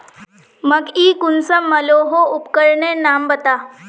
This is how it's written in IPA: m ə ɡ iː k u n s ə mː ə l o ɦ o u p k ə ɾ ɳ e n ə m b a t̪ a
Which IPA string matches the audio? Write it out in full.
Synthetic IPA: m ə ɡ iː k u n s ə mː ə l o ɦ o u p k ə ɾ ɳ e n a m b ə t̪ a